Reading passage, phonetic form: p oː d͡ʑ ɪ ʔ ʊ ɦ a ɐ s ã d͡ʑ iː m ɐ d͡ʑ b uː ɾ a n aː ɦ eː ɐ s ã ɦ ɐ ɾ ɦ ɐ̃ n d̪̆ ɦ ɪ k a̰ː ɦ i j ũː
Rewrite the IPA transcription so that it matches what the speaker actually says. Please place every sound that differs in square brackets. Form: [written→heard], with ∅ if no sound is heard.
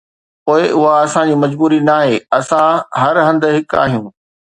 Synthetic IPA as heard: p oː [d͡ʑ→∅] ɪ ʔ ʊ ɦ a ɐ s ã d͡ʑ iː m ɐ d͡ʑ b uː ɾ [a→i] n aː ɦ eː ɐ s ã ɦ ɐ ɾ ɦ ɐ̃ n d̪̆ ɦ ɪ k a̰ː ɦ i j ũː